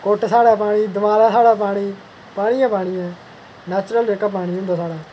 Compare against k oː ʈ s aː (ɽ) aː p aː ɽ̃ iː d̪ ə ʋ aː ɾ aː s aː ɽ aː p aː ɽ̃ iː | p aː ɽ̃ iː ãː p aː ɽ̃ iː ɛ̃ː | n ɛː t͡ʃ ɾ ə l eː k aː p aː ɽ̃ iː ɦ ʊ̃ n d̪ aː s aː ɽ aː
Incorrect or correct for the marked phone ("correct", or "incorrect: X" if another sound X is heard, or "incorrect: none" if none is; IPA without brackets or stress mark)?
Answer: correct